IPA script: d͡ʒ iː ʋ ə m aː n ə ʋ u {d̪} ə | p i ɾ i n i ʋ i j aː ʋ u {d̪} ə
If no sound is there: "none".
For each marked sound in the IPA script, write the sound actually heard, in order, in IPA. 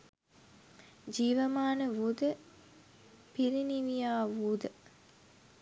d̪, d̪

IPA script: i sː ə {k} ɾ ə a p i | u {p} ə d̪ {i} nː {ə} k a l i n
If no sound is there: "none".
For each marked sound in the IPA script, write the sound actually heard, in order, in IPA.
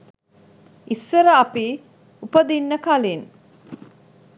none, p, i, ə

